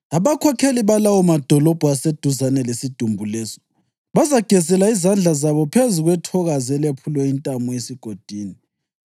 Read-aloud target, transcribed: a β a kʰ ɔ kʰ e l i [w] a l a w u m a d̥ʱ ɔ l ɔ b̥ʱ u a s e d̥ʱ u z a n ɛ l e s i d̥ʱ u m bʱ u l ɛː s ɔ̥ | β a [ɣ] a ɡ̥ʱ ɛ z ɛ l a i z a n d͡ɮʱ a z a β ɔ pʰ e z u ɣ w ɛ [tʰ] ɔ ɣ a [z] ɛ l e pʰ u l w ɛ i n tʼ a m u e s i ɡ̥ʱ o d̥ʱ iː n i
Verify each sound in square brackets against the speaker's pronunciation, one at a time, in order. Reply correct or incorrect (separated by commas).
incorrect, incorrect, correct, correct